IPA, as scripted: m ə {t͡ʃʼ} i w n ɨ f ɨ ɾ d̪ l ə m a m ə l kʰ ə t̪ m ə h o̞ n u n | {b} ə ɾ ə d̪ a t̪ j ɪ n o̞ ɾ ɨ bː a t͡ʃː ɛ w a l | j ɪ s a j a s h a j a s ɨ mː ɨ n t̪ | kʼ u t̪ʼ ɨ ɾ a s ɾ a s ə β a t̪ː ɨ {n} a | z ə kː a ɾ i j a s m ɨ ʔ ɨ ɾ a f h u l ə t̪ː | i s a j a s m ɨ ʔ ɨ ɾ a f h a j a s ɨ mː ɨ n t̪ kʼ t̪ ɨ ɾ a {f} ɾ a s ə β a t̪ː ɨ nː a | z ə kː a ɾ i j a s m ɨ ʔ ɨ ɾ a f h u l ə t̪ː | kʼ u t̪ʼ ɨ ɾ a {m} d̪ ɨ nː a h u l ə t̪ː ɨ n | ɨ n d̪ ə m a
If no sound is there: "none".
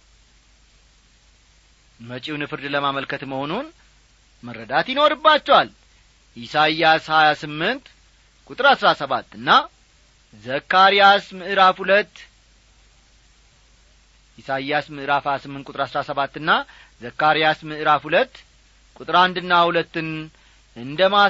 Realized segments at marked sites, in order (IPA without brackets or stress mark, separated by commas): t͡ʃʼ, m, nː, s, n